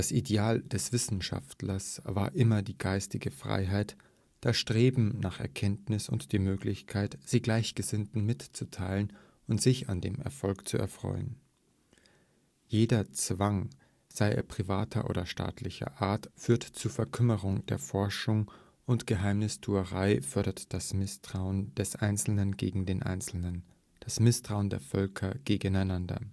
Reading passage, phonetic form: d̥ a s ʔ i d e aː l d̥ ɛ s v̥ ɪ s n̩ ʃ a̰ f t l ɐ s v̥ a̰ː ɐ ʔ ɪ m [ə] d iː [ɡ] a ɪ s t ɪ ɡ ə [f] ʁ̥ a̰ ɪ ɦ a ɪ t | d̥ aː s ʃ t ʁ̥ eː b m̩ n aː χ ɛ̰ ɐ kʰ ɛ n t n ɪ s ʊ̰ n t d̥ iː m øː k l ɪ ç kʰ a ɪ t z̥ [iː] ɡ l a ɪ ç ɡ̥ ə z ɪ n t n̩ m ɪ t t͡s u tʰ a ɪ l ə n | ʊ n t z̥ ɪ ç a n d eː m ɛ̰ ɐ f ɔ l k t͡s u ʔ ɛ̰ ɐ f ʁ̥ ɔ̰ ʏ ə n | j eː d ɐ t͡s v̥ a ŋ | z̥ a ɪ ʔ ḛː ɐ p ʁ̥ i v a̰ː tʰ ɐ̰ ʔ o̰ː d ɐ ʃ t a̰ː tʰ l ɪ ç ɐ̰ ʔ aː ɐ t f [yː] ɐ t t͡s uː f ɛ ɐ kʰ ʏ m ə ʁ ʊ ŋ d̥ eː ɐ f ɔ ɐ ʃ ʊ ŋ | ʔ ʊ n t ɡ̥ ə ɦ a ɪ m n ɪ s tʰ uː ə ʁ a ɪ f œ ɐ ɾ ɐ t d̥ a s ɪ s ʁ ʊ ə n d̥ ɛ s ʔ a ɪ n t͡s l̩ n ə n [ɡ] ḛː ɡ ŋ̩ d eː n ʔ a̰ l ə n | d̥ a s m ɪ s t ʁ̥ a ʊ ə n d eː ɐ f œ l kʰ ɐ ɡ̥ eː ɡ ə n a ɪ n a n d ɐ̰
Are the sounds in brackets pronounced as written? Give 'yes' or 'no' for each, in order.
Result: no, yes, yes, yes, yes, yes

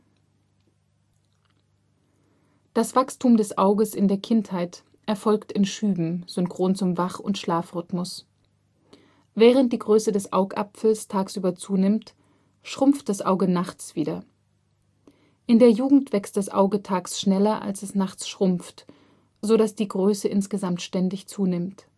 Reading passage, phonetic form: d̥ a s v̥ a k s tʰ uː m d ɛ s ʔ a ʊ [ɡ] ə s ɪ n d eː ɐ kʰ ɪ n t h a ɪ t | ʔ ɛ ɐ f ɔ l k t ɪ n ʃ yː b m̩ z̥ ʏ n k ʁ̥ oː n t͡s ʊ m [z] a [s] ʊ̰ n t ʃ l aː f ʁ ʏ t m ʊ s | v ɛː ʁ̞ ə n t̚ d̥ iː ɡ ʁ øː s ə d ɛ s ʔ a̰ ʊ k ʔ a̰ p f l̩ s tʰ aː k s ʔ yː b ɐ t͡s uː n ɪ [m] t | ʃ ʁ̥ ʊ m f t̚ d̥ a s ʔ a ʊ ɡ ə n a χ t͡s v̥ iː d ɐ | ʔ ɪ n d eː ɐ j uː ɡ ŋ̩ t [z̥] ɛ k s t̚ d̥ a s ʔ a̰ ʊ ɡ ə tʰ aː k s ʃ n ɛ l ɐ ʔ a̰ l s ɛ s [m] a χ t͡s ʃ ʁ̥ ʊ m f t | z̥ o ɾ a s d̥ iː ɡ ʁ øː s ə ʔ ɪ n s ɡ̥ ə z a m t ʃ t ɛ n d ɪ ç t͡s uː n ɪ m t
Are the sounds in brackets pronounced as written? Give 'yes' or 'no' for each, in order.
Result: yes, no, no, yes, no, no

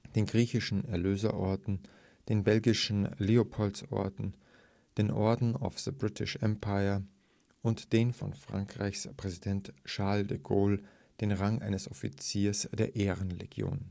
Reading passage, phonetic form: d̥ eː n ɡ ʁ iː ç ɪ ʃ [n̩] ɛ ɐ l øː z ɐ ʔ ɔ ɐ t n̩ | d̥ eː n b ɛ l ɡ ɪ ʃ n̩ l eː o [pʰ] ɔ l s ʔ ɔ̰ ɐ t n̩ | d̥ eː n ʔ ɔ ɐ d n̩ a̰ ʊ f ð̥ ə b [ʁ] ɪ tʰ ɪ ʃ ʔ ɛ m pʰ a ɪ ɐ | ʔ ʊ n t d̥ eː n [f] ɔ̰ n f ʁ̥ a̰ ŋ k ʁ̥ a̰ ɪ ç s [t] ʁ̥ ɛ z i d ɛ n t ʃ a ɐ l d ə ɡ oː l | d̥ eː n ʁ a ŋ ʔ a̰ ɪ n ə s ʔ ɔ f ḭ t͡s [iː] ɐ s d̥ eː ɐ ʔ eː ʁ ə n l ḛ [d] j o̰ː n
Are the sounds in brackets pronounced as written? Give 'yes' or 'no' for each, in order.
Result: yes, yes, yes, yes, no, yes, no

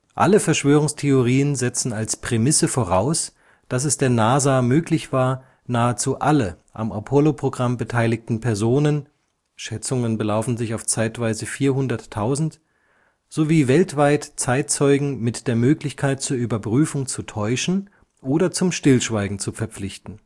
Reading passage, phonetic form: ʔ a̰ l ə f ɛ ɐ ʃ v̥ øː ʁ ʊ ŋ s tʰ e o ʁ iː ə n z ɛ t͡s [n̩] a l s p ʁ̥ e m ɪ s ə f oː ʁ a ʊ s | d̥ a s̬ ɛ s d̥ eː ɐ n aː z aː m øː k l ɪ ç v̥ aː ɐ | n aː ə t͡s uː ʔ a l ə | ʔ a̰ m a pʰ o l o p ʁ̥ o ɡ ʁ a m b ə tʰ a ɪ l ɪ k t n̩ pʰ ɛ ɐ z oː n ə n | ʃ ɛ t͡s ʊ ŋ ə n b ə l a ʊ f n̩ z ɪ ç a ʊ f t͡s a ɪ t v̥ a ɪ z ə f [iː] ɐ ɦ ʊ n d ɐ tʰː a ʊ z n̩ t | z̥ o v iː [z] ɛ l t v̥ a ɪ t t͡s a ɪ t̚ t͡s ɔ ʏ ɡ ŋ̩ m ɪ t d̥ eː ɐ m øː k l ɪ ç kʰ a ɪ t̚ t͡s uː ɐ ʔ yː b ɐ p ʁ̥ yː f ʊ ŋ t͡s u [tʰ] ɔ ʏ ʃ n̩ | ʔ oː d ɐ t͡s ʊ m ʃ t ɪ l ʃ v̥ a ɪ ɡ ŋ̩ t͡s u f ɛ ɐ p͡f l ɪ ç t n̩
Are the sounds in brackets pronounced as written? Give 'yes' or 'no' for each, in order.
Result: yes, yes, no, yes

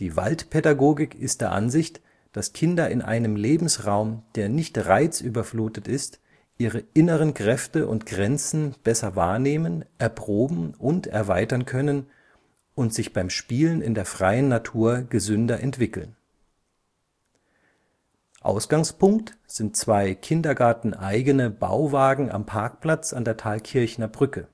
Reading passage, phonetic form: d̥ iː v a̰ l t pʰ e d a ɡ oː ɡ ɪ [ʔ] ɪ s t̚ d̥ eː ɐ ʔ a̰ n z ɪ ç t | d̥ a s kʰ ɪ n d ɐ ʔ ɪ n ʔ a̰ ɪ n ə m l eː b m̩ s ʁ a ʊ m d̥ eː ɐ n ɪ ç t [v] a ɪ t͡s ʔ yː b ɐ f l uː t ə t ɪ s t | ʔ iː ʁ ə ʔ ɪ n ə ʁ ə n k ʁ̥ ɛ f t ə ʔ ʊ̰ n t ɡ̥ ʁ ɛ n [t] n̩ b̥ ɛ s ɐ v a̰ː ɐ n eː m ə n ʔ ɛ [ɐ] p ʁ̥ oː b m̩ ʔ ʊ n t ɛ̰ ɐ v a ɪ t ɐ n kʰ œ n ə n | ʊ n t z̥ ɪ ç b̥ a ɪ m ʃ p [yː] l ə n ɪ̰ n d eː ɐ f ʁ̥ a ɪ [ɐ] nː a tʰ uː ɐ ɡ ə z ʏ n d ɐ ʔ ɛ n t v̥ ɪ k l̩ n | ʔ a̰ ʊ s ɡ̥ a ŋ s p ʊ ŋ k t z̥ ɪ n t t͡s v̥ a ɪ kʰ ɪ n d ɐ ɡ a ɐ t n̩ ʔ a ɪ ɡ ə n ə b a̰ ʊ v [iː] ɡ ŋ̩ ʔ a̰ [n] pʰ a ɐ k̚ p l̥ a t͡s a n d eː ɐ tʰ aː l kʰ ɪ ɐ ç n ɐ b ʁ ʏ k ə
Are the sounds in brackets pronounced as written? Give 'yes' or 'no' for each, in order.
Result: no, no, no, yes, no, no, no, no

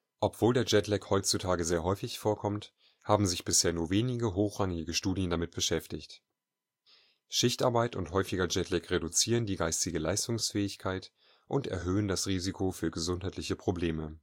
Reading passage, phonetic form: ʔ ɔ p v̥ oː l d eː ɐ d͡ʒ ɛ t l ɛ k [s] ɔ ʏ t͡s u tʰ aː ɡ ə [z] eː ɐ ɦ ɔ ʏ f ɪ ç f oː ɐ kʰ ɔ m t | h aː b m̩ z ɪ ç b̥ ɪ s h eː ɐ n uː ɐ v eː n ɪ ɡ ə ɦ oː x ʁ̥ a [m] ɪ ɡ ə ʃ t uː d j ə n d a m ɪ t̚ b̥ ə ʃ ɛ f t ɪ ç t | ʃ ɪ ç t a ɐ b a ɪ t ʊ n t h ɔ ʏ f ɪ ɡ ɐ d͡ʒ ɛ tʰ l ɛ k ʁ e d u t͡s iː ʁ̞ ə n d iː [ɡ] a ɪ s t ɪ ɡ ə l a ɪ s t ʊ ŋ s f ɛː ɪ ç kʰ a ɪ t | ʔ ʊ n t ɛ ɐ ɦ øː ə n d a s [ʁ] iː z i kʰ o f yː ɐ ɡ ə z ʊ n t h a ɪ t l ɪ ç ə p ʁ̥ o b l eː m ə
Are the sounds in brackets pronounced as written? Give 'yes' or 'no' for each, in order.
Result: no, yes, no, yes, yes

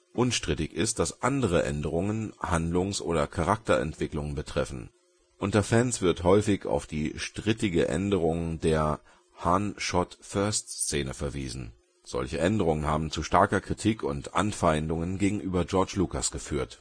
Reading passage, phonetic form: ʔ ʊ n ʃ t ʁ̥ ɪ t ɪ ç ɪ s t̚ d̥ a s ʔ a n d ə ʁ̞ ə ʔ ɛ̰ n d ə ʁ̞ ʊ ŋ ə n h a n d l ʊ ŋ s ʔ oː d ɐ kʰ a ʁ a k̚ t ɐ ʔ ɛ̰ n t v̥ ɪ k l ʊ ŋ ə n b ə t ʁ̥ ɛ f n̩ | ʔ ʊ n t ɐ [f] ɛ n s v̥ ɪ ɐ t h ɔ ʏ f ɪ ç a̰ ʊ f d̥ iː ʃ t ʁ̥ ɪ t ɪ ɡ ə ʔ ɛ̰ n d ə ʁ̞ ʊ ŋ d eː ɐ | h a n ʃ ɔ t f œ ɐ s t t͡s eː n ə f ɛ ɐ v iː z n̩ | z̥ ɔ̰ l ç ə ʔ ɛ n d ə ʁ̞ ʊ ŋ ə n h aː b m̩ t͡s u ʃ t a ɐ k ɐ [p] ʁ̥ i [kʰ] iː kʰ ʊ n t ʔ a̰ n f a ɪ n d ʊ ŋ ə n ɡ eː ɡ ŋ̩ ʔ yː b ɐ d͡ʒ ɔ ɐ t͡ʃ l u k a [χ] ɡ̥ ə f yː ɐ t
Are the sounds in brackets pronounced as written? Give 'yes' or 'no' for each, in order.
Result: yes, no, no, no

